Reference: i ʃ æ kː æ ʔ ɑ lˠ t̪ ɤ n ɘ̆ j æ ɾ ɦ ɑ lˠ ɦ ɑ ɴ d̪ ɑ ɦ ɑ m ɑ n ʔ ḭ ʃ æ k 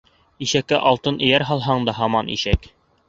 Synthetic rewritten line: i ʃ æ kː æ ʔ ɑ lˠ t̪ ɤ n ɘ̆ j æ ɾ ɦ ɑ lˠ ɦ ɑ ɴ d̪ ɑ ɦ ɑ m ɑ n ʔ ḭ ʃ æ k